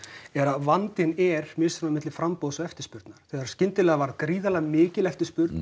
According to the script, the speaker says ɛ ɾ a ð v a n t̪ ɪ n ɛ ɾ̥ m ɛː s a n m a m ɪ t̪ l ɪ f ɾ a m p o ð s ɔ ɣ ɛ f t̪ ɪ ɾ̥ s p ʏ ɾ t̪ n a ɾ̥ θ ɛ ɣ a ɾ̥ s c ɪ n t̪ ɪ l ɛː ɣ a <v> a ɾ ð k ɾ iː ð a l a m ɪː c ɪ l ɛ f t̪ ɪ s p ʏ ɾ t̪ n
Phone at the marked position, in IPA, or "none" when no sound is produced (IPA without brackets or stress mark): v